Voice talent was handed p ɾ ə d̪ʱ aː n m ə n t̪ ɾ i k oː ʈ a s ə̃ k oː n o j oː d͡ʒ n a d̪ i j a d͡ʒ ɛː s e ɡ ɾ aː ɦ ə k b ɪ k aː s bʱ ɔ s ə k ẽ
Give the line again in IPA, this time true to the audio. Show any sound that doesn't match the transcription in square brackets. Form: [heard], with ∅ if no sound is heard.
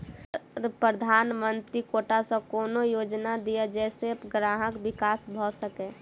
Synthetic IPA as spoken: p ɾ ə d̪ʱ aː n m ə n t̪ ɾ i k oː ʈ a s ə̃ k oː n o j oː d͡ʒ n a d̪ i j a d͡ʒ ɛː s e ɡ ɾ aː ɦ ə k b ɪ k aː s bʱ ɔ s ə k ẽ